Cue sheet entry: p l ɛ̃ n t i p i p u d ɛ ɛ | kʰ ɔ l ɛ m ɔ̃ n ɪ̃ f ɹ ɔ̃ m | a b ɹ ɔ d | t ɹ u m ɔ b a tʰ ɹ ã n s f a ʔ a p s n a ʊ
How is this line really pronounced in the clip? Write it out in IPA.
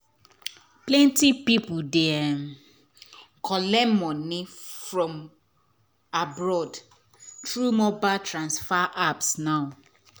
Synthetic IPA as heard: p l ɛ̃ n t i p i p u d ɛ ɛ | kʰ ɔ l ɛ m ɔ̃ n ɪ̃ f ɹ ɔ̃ m | a b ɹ ɔ d | t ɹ u m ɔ b a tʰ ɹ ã n s f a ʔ a p s n a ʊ